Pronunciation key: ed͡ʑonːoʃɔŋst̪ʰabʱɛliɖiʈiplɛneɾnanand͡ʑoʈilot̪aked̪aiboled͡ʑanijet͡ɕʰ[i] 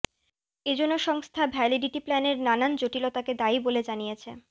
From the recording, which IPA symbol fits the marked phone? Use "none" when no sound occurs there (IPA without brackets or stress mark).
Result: e